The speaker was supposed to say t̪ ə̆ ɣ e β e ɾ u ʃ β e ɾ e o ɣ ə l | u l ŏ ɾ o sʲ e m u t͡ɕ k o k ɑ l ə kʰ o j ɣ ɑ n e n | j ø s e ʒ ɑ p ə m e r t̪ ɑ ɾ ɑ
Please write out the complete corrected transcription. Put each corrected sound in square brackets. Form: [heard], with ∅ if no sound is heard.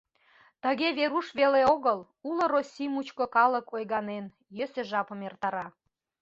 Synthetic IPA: t̪ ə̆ ɣ e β e ɾ u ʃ β e [l] e o ɣ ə l | u l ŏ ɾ o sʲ [i] m u t͡ɕ k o k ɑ l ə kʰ o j ɣ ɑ n e n | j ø s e ʒ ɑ p ə m e r t̪ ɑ ɾ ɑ